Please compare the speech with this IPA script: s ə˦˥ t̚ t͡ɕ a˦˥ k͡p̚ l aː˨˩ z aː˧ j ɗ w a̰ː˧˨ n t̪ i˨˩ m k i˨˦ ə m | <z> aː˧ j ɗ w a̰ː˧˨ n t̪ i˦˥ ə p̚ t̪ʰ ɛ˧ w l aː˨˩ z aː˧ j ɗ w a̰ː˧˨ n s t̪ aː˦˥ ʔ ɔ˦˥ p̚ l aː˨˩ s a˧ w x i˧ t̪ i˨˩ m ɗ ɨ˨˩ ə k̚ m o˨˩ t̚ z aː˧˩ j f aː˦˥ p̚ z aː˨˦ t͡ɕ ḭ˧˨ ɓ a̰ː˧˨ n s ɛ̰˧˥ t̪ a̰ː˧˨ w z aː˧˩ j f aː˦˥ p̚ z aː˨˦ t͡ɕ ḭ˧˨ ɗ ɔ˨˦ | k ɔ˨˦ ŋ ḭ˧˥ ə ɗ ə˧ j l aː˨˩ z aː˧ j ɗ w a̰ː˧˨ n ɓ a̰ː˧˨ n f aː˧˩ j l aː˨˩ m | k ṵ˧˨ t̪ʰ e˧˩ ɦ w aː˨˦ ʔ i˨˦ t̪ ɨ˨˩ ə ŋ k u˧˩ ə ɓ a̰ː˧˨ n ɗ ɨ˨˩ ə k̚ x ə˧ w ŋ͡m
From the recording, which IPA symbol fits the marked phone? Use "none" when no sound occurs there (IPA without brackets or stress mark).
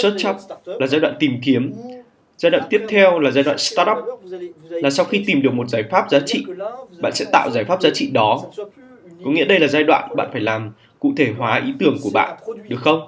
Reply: z